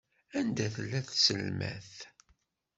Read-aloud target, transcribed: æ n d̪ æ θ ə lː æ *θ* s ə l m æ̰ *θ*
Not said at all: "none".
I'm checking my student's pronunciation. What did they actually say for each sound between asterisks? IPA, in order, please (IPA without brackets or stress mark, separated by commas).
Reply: θ, θ